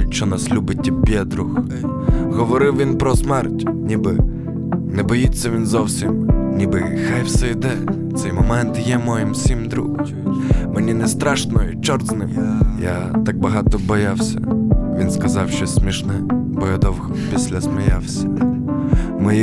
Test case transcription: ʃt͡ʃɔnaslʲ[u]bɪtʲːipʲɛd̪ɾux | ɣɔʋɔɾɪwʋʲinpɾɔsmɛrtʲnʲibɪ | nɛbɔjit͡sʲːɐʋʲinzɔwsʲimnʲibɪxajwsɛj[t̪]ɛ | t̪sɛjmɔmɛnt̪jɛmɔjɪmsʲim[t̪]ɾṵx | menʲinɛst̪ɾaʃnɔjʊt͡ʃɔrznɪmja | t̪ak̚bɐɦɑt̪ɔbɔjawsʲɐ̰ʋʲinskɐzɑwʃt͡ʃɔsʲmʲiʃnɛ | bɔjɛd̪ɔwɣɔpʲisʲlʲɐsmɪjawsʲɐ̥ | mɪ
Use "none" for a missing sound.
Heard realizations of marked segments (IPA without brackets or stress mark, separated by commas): u, d̪, d̪